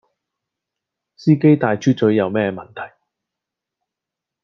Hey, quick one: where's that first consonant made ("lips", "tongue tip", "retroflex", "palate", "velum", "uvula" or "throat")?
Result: tongue tip